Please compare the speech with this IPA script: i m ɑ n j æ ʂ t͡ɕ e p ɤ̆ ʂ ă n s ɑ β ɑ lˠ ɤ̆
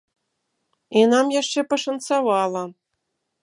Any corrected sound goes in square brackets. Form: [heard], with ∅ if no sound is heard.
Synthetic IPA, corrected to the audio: i [n] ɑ [m] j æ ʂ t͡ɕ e p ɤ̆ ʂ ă n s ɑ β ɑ lˠ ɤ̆

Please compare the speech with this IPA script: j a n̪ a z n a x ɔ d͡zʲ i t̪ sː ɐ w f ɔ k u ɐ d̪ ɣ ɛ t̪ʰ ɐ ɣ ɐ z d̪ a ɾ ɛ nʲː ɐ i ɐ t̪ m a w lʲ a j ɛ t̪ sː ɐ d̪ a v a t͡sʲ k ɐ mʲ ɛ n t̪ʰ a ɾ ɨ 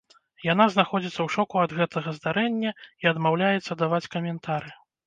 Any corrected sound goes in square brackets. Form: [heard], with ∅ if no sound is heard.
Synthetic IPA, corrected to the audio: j a n̪ a z n a x ɔ d͡zʲ i t̪ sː ɐ w [ʂ] ɔ k u ɐ d̪ ɣ ɛ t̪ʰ ɐ ɣ ɐ z d̪ a ɾ ɛ nʲː ɐ i ɐ [d̪] m a w lʲ a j ɛ t̪ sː ɐ d̪ a v a t͡sʲ k ɐ mʲ ɛ n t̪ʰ a ɾ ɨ

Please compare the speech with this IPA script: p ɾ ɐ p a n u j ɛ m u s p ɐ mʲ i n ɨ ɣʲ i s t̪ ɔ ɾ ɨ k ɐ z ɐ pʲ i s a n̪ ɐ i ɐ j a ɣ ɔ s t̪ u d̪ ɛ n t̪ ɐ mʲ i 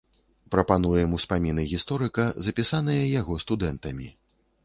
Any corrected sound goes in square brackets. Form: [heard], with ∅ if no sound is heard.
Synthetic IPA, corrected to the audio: p ɾ ɐ p a n u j ɛ m u s p [a] mʲ i n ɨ ɣʲ i s t̪ ɔ ɾ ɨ k ɐ z ɐ pʲ i s a n̪ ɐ [j] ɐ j a ɣ ɔ s t̪ u d̪ ɛ n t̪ ɐ mʲ i

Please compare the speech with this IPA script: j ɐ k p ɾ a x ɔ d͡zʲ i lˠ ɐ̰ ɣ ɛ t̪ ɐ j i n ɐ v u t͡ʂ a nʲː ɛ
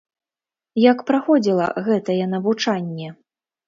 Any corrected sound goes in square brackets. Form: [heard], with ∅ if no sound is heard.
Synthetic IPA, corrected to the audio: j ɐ k p ɾ a x ɔ d͡zʲ i lˠ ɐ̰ ɣ ɛ t̪ ɐ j [ɛ] n ɐ v u t͡ʂ a nʲː ɛ

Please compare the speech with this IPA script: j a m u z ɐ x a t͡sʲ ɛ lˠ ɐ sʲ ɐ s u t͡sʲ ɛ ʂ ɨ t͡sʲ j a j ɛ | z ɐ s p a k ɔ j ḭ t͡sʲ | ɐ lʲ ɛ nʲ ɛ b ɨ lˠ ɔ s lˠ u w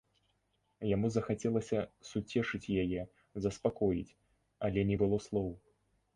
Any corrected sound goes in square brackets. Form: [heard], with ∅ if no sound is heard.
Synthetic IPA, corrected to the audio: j a m u z ɐ x a t͡sʲ ɛ lˠ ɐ sʲ ɐ s u t͡sʲ ɛ ʂ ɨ t͡sʲ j a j ɛ | z ɐ s p a k ɔ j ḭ t͡sʲ | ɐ lʲ ɛ nʲ ɛ b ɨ lˠ ɔ s lˠ [ɔ] w

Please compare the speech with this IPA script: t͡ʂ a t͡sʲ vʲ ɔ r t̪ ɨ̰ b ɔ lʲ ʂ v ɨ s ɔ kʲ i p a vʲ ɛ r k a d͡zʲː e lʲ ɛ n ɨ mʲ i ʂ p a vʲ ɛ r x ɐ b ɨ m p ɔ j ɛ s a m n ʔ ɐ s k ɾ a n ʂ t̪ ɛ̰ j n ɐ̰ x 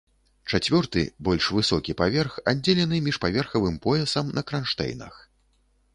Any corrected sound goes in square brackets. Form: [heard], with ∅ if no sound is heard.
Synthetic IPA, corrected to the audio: t͡ʂ a t͡sʲ vʲ ɔ r t̪ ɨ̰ b ɔ lʲ ʂ v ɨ s ɔ kʲ i p a vʲ ɛ r [x] a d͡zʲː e lʲ ɛ n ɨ mʲ i ʂ p a vʲ ɛ r x ɐ [v] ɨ m p ɔ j ɛ s [ɐ] m n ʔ ɐ [∅] k ɾ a n ʂ t̪ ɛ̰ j n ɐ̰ x

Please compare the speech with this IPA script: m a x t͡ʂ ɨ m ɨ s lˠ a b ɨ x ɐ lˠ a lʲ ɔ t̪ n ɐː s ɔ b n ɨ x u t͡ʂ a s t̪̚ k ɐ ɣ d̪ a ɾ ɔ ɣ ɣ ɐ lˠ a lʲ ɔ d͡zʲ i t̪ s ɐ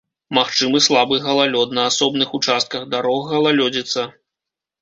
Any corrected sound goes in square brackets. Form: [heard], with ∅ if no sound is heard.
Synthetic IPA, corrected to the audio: m a x t͡ʂ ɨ m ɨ s lˠ a b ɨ [ɣ] ɐ lˠ a lʲ ɔ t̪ n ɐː s ɔ b n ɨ x u t͡ʂ a s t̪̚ k ɐ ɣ d̪ a ɾ ɔ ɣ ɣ ɐ lˠ a lʲ ɔ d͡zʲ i t̪ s ɐ

